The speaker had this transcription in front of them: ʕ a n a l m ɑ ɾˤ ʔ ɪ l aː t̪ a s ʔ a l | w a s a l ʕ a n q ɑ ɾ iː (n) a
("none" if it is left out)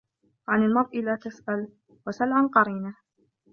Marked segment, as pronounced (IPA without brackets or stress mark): n